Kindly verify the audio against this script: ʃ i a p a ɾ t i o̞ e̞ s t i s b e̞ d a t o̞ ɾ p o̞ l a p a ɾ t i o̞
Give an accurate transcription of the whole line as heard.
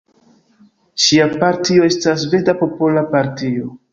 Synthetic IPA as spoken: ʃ i a p a ɾ t i o̞ e̞ s t a s v e̞ d a p o̞ p o̞ l a p a ɾ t i o̞